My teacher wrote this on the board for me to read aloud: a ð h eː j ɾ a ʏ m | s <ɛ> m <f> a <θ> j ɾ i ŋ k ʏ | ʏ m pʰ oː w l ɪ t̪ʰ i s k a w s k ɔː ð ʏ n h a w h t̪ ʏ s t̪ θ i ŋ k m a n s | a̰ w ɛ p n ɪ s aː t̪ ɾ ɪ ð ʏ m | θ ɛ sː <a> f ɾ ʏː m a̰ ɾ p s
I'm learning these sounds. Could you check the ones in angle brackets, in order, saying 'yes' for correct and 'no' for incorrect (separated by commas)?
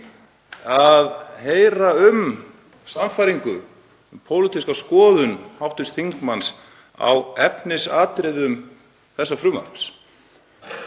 no, yes, no, yes